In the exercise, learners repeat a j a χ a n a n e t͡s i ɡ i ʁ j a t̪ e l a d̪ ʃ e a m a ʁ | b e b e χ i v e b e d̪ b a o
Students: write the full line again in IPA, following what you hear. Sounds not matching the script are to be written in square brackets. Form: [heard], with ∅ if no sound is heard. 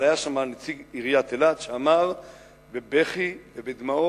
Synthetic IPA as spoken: a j a [ʃ] a [m] a n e t͡s i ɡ i ʁ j a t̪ e l a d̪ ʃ e a m a ʁ | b e b e χ i v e b e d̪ [m] a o